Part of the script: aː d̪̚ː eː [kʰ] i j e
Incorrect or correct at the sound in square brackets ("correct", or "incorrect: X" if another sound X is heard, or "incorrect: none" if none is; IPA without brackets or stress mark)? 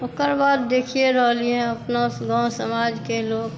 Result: correct